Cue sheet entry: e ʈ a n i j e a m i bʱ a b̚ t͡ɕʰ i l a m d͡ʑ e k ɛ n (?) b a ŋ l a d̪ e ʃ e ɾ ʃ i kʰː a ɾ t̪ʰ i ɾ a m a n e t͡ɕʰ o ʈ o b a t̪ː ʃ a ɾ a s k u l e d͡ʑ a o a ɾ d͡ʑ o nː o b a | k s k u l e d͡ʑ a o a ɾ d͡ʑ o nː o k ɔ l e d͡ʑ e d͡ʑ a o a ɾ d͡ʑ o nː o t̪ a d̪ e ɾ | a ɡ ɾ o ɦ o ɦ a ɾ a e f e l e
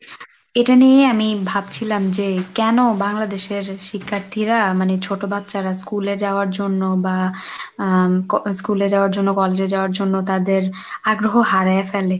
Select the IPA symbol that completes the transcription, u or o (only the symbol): o